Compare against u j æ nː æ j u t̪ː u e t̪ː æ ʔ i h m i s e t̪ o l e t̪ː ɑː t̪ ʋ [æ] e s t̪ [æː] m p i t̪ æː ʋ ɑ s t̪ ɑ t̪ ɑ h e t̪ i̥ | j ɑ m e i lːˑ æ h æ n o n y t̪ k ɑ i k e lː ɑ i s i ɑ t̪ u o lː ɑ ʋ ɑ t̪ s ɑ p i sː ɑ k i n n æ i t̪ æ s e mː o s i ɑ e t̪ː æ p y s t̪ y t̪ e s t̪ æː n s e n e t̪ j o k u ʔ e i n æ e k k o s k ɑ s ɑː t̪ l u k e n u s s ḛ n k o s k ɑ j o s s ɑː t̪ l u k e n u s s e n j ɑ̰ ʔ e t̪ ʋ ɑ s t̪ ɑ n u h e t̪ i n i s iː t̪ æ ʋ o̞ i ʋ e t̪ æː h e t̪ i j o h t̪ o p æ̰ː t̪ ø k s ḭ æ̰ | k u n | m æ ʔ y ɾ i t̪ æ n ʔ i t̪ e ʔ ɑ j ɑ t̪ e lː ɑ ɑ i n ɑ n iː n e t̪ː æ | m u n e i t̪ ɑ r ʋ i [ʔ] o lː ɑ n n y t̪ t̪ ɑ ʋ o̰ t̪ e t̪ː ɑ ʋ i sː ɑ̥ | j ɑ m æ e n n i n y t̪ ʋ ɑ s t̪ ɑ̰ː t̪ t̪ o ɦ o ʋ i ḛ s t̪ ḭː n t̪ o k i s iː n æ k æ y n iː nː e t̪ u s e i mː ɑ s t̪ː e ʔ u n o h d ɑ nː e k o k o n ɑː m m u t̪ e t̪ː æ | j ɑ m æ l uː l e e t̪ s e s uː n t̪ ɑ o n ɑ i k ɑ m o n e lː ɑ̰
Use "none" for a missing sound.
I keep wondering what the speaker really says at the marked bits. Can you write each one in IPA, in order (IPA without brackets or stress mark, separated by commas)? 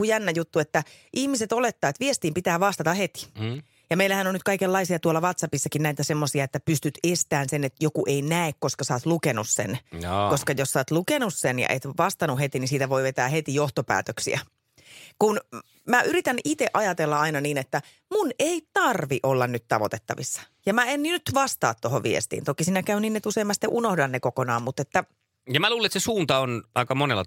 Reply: i, iː, ʔ